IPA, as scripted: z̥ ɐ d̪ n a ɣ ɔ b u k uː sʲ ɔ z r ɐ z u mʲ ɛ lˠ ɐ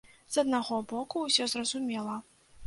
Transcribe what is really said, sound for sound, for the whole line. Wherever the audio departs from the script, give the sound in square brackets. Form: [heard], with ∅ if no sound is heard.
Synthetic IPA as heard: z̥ ɐ d̪ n a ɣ ɔ b [ɔ] k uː sʲ ɔ z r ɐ z u mʲ ɛ lˠ ɐ